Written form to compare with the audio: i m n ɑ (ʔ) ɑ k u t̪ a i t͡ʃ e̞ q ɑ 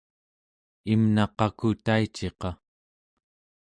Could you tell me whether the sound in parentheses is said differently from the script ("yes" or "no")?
yes